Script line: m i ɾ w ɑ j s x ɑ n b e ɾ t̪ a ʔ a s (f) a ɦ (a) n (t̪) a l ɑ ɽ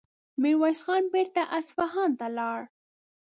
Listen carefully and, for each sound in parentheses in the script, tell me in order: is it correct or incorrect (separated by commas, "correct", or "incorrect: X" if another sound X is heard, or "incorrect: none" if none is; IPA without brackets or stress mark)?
correct, incorrect: ɑ, correct